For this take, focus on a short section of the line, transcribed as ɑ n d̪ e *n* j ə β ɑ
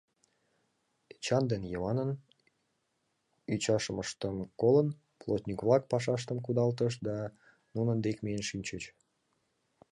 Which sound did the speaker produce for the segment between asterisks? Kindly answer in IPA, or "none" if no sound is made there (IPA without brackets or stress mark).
n